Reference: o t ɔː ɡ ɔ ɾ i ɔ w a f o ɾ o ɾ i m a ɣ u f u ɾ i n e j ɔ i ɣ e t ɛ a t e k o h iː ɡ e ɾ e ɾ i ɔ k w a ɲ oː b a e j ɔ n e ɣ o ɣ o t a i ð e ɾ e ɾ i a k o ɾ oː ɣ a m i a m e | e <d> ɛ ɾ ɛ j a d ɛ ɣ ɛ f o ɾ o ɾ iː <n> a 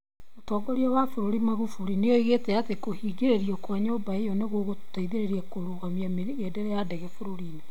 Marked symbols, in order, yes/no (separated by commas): yes, yes